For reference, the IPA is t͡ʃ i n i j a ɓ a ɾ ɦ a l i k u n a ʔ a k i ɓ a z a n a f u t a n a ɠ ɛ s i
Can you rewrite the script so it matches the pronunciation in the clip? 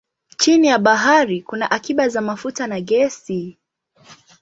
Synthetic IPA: t͡ʃ i n i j a ɓ a ɦ a ɾ i k u n a ʔ a k i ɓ a z a m a f u t a n a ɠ ɛ s i